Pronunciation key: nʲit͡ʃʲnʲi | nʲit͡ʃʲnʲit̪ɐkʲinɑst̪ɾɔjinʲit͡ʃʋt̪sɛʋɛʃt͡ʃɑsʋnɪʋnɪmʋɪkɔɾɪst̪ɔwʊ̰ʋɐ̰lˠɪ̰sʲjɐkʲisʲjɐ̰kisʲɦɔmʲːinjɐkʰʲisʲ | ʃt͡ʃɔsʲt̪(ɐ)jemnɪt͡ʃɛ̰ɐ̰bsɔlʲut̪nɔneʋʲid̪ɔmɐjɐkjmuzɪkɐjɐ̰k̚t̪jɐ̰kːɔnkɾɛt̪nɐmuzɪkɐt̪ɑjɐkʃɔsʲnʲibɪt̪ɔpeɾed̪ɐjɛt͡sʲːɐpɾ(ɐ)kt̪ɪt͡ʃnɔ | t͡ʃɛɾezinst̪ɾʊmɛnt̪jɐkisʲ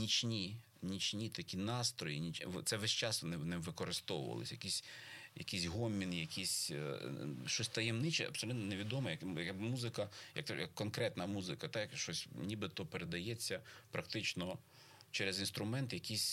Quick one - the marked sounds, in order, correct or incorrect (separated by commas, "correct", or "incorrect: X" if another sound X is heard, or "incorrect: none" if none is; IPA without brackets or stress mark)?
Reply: correct, correct